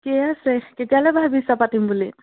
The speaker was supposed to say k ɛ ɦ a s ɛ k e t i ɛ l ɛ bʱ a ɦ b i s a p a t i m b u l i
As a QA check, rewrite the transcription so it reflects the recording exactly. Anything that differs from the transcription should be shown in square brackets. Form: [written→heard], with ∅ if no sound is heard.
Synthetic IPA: k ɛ [ɦ→∅] a s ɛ k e t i [ɛ→a] l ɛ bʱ a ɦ b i s a p a t i m b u l i

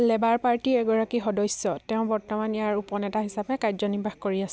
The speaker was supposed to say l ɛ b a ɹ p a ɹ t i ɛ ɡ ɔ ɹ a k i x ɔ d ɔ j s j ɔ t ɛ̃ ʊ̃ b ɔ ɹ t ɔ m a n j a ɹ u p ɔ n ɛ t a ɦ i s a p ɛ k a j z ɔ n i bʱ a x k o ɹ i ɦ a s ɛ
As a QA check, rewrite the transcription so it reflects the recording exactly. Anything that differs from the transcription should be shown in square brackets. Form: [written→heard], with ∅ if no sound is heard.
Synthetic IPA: l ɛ b a ɹ p a ɹ t i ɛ ɡ ɔ ɹ a k i x ɔ d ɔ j s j ɔ t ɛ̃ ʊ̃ b ɔ ɹ t ɔ m a n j a ɹ u p ɔ n ɛ t a ɦ i s a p ɛ k a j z ɔ n i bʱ a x k o ɹ i [ɦ→∅] a s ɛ

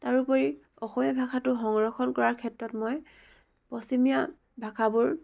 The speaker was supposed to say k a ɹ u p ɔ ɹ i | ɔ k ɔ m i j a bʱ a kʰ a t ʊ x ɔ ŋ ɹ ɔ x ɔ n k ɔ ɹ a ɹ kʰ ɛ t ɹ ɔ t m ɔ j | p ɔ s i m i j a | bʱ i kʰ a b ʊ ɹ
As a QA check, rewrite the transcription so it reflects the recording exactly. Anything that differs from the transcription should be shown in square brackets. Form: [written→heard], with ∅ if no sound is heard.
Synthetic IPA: [k→t] a ɹ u p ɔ ɹ i | ɔ [k→x] ɔ m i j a bʱ a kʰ a t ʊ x ɔ ŋ ɹ ɔ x ɔ n k ɔ ɹ a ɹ kʰ ɛ t ɹ ɔ t m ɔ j | p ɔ s i m i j a | bʱ [i→a] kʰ a b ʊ ɹ

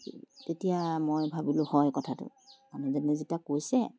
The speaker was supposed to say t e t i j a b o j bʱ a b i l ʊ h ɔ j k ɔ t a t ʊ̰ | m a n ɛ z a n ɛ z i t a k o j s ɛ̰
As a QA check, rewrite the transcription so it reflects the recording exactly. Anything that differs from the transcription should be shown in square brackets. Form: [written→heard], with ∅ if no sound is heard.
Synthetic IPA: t e t i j a [b→m] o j bʱ a b i l ʊ h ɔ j k ɔ [t→tʰ] a t ʊ̰ | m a n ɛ z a n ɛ z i t a k o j s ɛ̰

